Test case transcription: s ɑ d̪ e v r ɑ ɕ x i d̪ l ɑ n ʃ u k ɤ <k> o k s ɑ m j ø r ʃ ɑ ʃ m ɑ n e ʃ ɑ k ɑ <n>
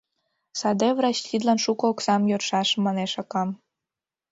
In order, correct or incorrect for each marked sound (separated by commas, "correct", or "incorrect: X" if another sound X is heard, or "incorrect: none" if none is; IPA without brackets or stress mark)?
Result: incorrect: none, incorrect: m